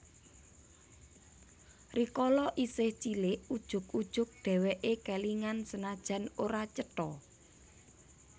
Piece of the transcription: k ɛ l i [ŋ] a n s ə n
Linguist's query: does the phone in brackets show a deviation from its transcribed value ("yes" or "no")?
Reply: no